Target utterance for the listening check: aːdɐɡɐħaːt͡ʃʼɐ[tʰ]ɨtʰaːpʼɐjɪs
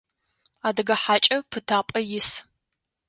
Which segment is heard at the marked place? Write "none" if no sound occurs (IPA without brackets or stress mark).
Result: pʰ